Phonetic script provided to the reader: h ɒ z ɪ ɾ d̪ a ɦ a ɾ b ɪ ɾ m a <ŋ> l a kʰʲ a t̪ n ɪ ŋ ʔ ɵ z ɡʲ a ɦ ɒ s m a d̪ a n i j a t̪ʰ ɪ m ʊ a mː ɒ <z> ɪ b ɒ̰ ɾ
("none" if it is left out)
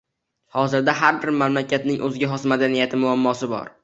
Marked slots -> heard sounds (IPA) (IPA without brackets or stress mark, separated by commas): m, s